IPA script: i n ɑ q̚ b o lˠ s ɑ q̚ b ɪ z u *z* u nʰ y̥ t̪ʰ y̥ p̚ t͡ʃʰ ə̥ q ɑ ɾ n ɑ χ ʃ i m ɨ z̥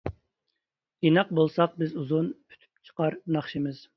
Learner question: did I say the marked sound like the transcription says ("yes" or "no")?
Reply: yes